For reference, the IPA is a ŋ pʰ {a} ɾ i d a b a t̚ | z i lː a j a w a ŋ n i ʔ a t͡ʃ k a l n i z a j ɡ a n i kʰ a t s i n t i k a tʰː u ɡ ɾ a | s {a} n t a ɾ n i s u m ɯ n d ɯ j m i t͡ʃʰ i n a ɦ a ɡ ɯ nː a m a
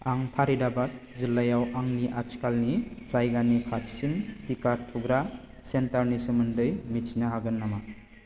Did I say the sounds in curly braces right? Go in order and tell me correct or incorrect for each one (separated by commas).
correct, incorrect